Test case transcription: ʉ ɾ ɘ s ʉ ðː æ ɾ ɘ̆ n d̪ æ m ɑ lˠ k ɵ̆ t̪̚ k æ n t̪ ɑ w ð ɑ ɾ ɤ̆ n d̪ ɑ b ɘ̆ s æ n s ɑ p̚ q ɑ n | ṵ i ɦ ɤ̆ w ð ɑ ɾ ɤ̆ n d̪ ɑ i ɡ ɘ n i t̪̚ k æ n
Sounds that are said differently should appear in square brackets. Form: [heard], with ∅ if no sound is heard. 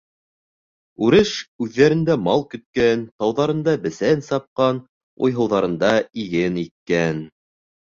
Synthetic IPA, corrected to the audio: ʉ ɾ ɘ [ʃ] ʉ ðː æ ɾ ɘ̆ n d̪ æ m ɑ lˠ k ɵ̆ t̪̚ k æ n t̪ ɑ w ð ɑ ɾ ɤ̆ n d̪ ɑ b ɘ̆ s æ n s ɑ p̚ q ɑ n | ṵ [j] ɦ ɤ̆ w ð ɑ ɾ ɤ̆ n d̪ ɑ i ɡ ɘ n i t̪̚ k æ n